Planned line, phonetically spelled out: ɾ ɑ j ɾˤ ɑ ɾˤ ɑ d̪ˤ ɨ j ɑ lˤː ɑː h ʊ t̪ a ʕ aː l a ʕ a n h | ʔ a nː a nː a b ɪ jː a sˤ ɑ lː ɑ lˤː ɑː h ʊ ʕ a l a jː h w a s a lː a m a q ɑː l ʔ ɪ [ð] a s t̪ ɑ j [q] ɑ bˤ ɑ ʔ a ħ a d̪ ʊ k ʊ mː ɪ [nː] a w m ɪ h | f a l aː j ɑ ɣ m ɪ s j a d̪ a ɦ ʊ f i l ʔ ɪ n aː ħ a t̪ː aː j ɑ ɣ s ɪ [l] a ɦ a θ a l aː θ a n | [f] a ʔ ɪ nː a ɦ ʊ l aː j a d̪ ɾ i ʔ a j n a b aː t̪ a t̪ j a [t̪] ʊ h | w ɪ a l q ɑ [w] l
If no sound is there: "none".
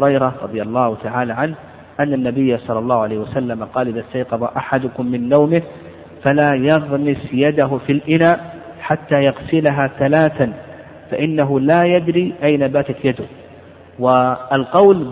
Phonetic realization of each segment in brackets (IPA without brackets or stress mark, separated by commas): ð, q, nː, l, f, d̪, w